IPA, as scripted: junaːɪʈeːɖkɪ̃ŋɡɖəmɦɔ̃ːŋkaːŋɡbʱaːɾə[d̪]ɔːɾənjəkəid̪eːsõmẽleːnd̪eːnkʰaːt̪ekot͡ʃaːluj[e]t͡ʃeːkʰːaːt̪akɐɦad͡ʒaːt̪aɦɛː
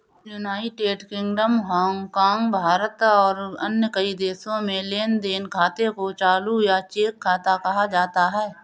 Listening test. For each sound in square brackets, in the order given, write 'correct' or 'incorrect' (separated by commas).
incorrect, incorrect